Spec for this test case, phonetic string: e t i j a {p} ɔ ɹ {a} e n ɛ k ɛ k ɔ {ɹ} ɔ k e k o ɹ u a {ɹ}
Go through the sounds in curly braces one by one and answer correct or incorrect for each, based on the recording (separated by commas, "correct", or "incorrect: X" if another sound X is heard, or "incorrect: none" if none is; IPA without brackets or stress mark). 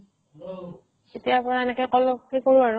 correct, correct, incorrect: l, correct